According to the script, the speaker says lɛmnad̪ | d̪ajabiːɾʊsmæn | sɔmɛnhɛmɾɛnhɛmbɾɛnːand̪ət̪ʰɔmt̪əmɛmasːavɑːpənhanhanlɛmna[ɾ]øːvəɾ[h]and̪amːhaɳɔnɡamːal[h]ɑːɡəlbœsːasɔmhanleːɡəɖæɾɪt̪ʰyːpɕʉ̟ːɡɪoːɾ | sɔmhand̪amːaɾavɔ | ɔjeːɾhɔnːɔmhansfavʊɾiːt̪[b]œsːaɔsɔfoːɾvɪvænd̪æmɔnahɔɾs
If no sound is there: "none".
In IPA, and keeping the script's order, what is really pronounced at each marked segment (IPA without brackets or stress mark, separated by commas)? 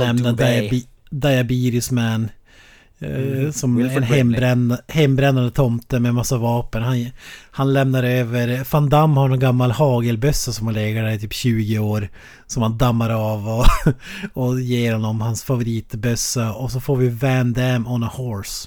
ɾ, f, h, b